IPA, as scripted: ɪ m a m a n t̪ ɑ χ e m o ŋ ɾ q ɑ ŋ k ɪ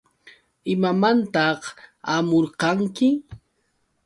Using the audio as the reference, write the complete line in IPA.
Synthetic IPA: ɪ m a m a n t̪ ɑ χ a m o ɾ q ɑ ŋ k ɪ